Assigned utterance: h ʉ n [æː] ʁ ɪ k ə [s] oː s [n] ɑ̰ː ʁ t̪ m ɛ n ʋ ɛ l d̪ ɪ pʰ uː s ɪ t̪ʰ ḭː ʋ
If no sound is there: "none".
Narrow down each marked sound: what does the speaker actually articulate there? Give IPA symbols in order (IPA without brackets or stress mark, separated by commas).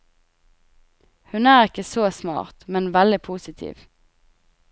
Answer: æː, s, m